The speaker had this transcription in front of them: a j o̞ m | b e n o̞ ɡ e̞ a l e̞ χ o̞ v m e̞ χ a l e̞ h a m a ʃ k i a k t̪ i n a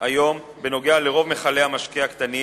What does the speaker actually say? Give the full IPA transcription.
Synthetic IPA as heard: a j o̞ m | b e n o̞ ɡ e̞ a l e̞ ʁ o̞ v m e̞ χ a l e̞ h a m a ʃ k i a k t̪ a n i